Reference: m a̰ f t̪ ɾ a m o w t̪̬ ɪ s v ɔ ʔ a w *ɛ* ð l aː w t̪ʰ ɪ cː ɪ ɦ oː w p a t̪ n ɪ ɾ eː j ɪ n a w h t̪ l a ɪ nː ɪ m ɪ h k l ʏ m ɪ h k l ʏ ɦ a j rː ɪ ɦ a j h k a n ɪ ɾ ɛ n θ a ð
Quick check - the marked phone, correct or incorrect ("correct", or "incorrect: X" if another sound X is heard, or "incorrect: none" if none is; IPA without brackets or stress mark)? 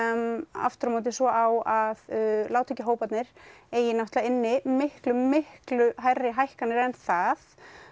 incorrect: a